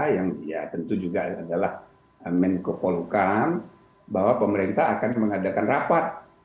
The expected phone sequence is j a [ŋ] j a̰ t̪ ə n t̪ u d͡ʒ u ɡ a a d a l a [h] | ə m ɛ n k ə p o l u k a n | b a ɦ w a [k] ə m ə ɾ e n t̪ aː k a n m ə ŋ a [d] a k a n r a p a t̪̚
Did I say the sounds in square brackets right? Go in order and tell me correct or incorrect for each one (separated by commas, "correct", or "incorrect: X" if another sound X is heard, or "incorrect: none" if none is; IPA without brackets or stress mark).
correct, correct, incorrect: p, correct